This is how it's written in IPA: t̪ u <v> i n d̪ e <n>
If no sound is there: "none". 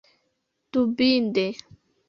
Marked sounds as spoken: b, none

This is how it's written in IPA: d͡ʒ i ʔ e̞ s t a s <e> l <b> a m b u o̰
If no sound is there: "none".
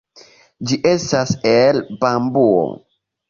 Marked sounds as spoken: e, b

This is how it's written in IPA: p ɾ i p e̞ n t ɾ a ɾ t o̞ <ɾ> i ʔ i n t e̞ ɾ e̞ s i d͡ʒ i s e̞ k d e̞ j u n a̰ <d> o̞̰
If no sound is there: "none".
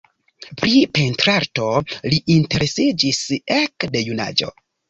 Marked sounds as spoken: l, d͡ʒ

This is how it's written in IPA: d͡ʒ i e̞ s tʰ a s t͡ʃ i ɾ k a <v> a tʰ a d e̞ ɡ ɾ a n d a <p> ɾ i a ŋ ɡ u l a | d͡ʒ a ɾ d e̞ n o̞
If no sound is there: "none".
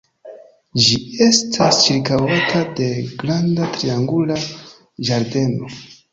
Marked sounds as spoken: w, t

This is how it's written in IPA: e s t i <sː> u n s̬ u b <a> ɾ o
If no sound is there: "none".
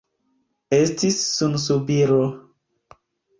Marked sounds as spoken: sː, i

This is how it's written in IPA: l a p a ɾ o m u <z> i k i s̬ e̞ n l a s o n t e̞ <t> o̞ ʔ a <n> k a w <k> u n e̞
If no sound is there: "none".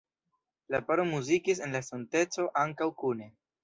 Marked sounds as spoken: z, t͡s, ŋ, k

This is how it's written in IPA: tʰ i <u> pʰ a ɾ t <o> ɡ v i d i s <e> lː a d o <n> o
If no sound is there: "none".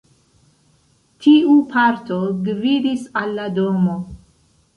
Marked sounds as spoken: u, o, a, m

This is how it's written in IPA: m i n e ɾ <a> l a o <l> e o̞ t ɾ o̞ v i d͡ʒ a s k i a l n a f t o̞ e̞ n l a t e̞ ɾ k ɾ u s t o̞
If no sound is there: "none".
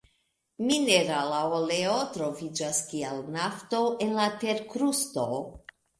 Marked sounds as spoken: a, l

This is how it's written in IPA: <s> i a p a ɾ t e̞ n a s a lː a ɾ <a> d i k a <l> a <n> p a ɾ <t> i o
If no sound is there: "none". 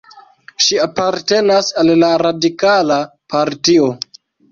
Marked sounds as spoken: ʃ, a, l, none, t

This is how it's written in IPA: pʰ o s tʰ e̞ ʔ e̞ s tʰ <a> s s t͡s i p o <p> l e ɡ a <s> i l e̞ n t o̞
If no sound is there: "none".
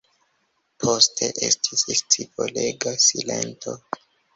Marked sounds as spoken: i, none, s

